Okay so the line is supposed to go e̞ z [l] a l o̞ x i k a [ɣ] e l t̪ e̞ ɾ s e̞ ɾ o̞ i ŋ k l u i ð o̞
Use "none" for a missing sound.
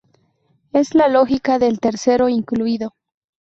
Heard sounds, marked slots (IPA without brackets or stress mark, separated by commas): l, ð